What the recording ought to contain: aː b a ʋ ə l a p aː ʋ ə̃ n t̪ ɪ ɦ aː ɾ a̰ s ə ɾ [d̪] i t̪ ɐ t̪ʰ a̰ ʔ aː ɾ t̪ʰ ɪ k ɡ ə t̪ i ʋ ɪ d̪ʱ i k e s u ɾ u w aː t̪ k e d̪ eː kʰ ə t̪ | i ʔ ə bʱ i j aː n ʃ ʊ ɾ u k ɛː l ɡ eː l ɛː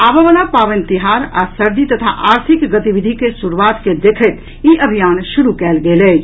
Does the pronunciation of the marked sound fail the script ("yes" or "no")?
no